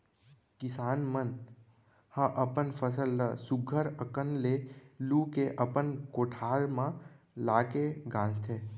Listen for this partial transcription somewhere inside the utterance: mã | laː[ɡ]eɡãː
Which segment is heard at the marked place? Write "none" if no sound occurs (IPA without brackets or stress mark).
k